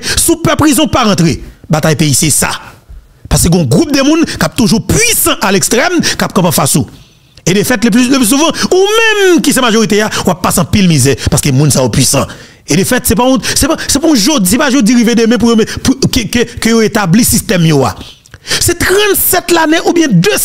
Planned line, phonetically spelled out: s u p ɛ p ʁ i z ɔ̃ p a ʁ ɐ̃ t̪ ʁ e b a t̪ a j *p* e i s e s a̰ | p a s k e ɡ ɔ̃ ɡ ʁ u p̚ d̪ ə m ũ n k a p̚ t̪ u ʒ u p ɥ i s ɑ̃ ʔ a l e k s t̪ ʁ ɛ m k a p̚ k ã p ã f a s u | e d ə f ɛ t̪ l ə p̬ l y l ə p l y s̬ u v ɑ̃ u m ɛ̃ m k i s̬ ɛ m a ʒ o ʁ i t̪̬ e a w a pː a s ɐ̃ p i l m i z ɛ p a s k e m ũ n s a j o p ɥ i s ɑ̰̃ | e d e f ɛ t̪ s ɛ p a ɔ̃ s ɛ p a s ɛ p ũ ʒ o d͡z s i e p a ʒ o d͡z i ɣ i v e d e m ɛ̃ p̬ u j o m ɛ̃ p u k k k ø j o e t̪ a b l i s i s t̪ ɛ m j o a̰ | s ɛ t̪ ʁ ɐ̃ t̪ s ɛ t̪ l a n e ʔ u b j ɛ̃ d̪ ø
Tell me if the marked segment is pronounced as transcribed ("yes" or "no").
yes